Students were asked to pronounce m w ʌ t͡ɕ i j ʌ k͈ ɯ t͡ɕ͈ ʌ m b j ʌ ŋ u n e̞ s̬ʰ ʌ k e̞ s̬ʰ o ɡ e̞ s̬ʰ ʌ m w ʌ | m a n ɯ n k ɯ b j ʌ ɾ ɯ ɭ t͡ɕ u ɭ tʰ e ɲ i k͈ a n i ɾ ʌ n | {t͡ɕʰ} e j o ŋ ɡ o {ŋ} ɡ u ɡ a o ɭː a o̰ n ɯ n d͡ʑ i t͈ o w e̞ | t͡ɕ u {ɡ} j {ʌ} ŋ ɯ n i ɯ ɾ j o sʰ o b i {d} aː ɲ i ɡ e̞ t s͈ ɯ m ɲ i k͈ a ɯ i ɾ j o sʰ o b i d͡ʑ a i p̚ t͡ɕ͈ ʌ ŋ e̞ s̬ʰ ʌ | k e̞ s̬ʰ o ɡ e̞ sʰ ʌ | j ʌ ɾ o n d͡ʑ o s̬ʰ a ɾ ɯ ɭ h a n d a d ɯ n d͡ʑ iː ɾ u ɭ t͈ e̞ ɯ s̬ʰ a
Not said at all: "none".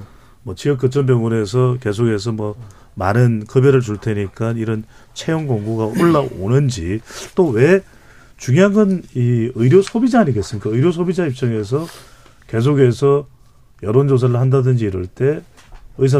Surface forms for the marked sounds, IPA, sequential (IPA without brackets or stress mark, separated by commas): t͡ɕʰ, ŋ, ŋ, a, d͡ʑ